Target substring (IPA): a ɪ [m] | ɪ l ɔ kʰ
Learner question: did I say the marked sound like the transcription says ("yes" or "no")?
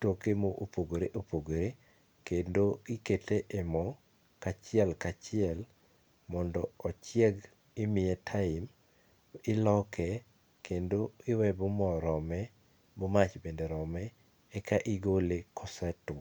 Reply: yes